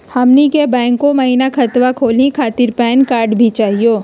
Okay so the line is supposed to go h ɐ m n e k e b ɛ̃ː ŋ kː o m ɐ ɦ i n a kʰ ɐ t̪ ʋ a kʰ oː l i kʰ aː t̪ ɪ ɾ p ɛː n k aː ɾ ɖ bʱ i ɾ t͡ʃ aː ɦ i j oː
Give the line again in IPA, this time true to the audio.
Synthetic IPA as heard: h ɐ m n i k e b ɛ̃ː ŋ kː o m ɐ ɦ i n a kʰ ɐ t̪ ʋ a kʰ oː l i kʰ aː t̪ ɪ ɾ p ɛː n k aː ɾ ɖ bʱ i t͡ʃ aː ɦ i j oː